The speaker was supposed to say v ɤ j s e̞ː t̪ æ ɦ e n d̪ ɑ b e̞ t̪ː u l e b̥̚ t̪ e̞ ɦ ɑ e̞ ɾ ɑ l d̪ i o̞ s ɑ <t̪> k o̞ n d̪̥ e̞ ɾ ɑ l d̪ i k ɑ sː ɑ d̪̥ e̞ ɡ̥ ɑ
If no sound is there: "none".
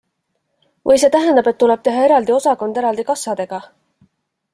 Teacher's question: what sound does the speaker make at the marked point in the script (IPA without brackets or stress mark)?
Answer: none